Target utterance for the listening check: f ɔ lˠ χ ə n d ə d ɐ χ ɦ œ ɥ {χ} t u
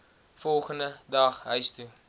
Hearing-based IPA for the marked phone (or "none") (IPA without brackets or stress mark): s